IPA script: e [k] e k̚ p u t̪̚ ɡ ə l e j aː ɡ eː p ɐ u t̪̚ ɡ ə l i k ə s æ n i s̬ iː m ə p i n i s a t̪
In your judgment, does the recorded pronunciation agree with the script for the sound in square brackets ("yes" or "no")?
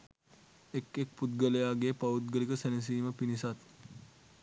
yes